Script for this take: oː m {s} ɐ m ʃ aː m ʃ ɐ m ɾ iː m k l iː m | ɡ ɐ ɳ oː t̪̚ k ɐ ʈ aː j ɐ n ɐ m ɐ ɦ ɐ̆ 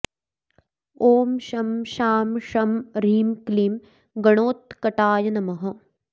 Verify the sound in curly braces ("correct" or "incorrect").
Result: incorrect